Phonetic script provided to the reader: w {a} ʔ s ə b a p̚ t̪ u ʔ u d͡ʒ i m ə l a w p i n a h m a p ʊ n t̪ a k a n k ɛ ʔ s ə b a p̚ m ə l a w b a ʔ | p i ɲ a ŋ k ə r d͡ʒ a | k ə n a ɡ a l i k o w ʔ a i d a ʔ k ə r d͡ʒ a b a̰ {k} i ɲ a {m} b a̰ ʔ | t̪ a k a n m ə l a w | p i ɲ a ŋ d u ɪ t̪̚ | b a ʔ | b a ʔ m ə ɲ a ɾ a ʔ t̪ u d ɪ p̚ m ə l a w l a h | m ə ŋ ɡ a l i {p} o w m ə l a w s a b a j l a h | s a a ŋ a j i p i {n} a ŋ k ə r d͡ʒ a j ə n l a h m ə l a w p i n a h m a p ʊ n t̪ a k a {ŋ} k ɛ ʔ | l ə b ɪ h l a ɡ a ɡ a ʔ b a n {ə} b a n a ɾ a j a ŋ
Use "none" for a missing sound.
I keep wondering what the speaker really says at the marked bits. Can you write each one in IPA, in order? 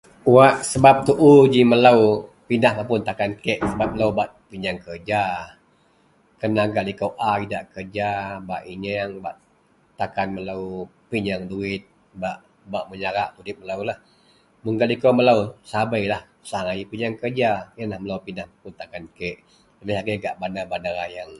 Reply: a, ʔ, ŋ, k, ɲ, n, a

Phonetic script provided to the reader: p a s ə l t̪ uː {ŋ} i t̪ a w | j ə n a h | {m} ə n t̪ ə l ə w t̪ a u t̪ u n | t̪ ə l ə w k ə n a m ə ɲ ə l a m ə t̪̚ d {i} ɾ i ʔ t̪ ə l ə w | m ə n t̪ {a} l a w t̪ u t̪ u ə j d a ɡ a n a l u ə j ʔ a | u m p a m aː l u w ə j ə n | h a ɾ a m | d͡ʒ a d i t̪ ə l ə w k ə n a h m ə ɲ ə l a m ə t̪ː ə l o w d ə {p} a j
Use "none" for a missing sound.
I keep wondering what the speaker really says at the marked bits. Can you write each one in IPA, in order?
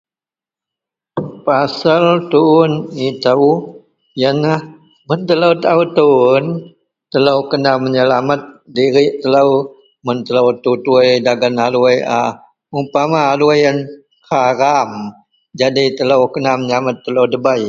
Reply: n, m, i, ə, b

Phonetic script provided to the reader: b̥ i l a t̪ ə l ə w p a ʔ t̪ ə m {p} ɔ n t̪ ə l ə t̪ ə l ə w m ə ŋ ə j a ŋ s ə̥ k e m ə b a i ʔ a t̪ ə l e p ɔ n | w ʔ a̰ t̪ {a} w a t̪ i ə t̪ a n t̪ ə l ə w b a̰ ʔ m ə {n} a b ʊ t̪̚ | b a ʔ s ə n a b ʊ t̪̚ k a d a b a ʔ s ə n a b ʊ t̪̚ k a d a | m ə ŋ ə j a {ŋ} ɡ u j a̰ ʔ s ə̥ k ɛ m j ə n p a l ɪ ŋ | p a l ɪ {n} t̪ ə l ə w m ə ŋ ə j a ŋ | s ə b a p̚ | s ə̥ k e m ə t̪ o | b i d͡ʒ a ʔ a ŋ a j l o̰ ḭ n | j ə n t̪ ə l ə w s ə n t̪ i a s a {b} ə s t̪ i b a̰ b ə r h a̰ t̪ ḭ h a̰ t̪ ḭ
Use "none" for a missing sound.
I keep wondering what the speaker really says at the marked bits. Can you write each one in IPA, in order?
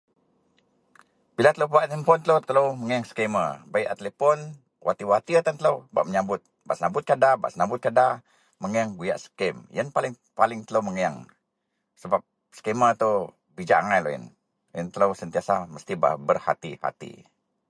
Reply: p, i, ɲ, ŋ, ŋ, m

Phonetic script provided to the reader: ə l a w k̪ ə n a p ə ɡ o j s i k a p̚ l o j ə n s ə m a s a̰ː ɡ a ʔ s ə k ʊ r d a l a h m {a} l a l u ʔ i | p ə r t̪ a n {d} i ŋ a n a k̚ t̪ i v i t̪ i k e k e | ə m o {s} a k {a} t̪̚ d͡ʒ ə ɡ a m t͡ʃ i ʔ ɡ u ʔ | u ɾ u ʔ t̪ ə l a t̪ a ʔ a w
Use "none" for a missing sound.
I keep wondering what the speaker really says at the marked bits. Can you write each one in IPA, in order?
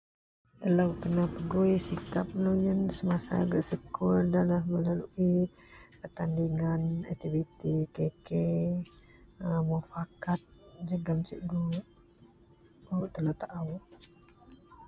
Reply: ə, d, f, a

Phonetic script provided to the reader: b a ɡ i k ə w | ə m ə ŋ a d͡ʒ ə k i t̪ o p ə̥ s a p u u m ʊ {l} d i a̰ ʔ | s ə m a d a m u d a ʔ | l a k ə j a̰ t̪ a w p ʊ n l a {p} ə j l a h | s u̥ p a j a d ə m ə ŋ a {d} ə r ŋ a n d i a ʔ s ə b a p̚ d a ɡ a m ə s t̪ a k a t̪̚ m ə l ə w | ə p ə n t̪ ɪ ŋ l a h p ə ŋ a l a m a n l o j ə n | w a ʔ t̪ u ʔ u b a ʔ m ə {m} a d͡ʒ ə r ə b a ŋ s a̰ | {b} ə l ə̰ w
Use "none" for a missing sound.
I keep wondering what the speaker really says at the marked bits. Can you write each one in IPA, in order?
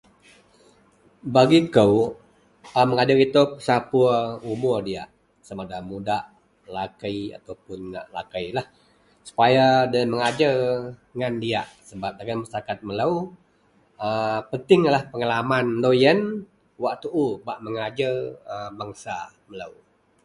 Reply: r, k, d͡ʒ, ŋ, m

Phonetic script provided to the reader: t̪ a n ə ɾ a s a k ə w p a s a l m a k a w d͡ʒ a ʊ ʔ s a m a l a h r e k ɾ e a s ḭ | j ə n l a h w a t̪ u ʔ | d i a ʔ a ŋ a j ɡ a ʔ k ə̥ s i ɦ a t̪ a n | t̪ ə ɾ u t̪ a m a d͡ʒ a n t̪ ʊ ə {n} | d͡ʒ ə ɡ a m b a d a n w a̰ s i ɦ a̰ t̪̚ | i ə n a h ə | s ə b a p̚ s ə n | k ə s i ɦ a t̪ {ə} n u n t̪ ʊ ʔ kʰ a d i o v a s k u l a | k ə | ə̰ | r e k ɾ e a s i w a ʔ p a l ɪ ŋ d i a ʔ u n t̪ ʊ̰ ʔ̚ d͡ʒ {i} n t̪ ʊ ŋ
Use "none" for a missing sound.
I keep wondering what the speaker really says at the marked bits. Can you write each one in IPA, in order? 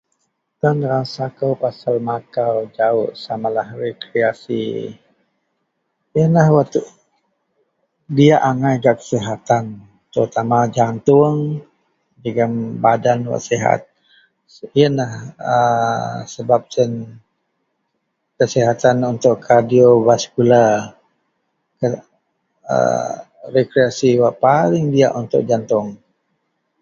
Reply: ŋ, a, a

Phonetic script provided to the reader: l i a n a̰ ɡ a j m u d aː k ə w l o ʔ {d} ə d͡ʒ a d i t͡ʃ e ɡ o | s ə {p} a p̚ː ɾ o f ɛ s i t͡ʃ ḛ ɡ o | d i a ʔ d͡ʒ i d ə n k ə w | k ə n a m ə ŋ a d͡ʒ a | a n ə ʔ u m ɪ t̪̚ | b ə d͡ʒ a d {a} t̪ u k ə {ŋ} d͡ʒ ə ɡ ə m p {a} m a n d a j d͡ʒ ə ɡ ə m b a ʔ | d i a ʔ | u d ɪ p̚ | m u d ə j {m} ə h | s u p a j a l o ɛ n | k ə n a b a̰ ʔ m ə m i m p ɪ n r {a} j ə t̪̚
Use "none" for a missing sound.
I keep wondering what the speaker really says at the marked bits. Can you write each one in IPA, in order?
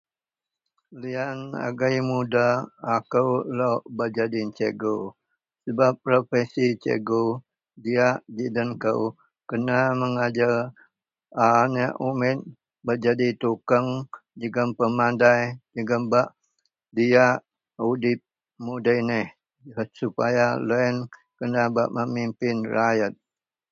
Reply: b, b, i, ŋ, ə, n, a

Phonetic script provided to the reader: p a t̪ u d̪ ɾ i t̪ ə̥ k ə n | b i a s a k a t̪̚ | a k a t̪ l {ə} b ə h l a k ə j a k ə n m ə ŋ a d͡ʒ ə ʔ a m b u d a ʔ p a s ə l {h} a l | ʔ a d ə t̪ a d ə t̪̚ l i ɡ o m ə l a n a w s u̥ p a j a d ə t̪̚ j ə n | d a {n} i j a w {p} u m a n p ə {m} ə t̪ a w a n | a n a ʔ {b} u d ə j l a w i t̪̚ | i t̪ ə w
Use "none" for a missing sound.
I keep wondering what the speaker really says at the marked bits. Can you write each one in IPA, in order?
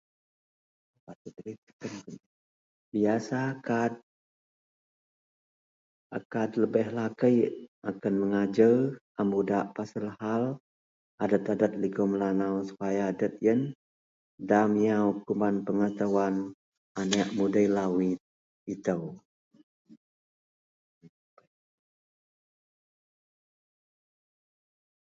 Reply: ə, h, m, k, ŋ, m

